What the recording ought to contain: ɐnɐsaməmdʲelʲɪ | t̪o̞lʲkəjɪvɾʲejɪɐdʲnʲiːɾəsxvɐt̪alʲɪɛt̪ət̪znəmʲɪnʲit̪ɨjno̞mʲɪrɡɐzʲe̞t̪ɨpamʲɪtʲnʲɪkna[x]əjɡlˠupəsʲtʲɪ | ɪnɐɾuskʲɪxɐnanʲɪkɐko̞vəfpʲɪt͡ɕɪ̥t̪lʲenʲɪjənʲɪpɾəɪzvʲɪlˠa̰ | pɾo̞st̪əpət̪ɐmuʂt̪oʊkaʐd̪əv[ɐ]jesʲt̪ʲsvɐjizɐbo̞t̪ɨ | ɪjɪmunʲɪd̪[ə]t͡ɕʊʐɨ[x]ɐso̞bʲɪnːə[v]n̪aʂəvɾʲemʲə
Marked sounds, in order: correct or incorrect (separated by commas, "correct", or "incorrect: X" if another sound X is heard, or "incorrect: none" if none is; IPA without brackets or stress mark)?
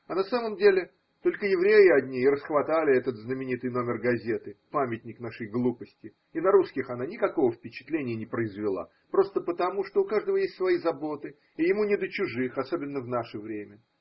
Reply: incorrect: ʂ, incorrect: ə, correct, correct, correct